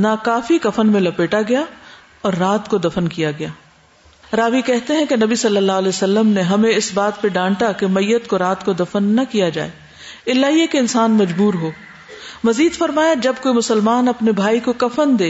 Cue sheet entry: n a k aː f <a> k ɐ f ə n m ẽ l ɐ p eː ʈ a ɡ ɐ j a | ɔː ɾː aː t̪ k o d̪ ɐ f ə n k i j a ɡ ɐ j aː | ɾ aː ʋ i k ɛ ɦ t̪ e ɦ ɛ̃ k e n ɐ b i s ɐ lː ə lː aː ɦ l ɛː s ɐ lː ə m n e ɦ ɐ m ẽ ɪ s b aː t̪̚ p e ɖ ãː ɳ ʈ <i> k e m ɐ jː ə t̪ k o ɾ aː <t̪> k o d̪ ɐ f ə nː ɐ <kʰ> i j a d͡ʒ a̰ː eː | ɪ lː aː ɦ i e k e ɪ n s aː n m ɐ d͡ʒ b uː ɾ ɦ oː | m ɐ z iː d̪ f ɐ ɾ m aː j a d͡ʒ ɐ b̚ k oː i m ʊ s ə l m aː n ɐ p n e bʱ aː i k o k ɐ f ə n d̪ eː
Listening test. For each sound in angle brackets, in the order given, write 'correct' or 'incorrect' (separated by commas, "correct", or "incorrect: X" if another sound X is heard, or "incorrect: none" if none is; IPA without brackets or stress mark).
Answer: incorrect: i, incorrect: a, correct, incorrect: k